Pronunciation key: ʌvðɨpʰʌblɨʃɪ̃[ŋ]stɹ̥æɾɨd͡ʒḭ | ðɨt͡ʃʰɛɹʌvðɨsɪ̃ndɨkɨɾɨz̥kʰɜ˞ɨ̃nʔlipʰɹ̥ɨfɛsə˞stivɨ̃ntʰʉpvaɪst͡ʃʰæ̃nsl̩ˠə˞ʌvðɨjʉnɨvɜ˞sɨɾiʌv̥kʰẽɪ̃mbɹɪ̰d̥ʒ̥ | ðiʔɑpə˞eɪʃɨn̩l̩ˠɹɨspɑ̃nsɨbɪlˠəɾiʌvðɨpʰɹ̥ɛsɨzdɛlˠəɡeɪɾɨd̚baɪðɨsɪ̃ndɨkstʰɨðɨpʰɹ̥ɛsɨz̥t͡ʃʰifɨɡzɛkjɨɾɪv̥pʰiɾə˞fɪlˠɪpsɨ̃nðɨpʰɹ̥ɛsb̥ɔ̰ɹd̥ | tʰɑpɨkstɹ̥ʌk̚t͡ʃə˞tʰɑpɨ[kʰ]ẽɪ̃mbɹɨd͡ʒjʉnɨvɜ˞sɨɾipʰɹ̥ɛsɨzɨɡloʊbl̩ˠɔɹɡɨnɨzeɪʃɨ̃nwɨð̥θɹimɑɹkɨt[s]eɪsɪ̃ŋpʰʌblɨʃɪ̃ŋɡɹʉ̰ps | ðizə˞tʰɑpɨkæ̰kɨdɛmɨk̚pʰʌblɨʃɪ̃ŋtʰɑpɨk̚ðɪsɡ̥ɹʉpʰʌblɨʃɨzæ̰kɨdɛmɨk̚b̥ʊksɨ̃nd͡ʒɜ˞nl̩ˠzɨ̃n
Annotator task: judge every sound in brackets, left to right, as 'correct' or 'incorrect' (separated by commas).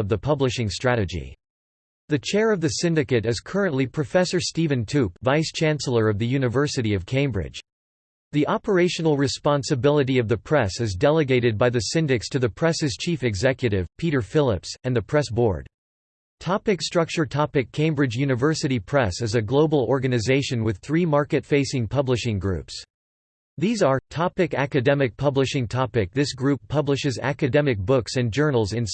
correct, correct, incorrect